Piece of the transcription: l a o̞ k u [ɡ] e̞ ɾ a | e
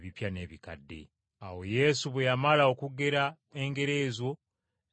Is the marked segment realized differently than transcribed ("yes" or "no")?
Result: no